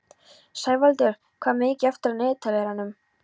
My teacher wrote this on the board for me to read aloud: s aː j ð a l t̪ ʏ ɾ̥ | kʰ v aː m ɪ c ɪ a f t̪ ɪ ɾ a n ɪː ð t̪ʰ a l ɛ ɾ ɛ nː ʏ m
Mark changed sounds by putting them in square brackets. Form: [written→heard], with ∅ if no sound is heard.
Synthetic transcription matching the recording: s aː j [ð→v] a l t̪ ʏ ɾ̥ | kʰ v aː m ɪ c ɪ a f t̪ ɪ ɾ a n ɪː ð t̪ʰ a l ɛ ɾ [ɛ→a] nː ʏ m